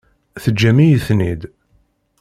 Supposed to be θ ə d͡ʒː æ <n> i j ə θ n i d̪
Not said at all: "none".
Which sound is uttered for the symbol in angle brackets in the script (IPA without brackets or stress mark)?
m